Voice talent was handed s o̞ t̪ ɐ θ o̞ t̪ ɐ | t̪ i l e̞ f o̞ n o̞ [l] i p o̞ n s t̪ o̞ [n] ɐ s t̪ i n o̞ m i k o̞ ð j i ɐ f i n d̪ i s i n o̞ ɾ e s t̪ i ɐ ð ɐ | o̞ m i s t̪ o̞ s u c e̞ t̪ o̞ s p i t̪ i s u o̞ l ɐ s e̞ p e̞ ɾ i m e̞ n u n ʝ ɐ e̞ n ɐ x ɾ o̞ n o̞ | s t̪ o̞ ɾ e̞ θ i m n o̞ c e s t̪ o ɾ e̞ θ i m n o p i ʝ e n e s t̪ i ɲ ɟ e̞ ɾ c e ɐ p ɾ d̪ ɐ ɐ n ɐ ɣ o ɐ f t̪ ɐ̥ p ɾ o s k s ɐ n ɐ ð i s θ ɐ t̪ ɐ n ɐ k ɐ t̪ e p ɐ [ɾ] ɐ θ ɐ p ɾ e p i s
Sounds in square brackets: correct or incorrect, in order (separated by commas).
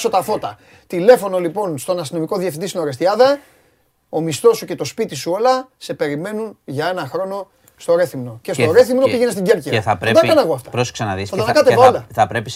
correct, correct, incorrect